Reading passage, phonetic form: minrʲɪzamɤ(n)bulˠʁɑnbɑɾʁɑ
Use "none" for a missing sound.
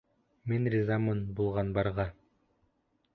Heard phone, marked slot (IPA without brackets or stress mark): n